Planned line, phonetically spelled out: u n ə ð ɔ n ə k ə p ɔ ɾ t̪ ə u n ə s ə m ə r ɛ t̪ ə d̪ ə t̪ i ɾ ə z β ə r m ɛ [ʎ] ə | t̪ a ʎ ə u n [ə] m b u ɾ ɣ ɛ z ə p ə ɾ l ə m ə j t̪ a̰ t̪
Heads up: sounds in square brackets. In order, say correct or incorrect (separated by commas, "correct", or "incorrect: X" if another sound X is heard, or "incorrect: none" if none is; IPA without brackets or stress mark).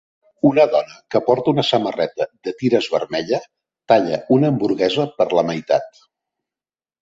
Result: correct, incorrect: əː